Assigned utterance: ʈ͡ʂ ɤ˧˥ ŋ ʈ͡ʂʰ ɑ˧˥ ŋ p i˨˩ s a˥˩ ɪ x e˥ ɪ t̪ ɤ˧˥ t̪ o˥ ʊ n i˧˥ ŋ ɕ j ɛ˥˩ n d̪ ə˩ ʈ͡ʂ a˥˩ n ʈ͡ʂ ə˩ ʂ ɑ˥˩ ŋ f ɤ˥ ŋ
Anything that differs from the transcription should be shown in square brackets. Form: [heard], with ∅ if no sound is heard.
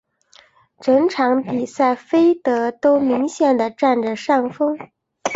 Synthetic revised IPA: ʈ͡ʂ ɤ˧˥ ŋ ʈ͡ʂʰ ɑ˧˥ ŋ p i˨˩ s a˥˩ ɪ [f] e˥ ɪ t̪ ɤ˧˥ t̪ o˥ ʊ [m] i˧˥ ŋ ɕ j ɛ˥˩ n d̪ ə˩ ʈ͡ʂ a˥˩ n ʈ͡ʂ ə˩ ʂ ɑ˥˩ ŋ f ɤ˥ ŋ